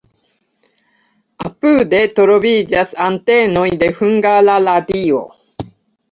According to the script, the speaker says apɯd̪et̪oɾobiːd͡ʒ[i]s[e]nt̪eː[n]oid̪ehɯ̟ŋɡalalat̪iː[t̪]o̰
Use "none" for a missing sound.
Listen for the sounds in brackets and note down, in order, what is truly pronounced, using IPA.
a, a, n, none

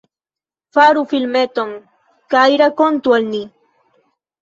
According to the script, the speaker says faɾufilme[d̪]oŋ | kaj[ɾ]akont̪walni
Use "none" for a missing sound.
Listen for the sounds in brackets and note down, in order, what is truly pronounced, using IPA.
t̪, ɾ

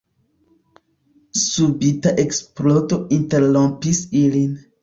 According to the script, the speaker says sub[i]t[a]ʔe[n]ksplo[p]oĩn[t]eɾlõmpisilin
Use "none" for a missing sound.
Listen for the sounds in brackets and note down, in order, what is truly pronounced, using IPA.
i, a, none, t, t

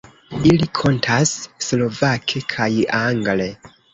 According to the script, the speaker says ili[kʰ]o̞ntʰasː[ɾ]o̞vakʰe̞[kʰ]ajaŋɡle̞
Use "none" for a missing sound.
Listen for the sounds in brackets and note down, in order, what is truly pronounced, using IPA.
kʰ, l, kʰ

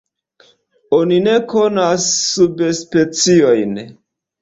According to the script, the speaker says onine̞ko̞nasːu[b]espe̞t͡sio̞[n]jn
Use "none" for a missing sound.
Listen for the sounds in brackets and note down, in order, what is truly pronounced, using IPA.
b, none

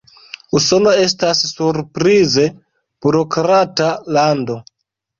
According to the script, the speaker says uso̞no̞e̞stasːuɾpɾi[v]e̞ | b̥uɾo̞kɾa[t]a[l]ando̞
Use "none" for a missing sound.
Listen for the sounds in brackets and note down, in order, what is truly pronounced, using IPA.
z, t, l

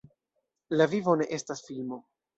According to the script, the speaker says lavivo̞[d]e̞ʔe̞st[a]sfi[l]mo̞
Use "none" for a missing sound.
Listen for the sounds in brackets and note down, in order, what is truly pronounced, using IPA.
n, a, l

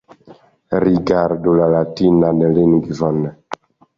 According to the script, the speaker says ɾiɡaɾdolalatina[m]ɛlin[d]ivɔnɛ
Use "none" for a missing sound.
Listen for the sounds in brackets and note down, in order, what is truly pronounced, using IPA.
n, ɡ

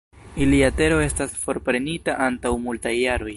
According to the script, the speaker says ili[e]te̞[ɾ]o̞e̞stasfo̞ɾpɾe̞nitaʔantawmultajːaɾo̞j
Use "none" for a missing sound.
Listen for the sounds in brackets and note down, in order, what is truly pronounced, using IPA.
a, ɾ

